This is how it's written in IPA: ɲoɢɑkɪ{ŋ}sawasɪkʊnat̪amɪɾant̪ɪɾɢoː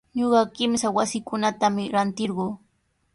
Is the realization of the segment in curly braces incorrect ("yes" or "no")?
yes